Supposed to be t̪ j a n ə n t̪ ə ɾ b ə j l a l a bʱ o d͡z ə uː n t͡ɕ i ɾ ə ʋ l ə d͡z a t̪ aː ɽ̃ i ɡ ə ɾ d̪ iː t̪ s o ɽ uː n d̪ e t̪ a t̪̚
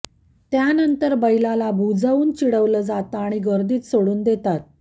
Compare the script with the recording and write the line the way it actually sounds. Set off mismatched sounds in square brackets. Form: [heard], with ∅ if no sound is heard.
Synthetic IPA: t̪ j a n ə n t̪ ə ɾ b ə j l a l a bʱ [u] d͡z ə uː n t͡ɕ i [ɽ] ə ʋ l ə d͡z a t̪ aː ɽ̃ i ɡ ə ɾ d̪ iː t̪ s o ɽ uː n d̪ e t̪ a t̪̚